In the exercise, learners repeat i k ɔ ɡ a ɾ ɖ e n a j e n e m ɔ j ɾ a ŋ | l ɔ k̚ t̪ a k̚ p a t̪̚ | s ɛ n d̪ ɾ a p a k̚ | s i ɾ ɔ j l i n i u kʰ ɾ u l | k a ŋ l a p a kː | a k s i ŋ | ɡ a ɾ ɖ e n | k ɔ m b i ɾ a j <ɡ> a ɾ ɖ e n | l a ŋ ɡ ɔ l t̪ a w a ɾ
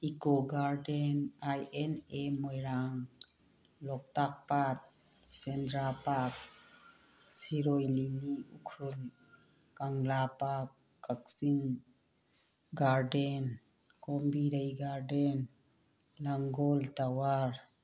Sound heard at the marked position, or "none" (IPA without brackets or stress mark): ɡ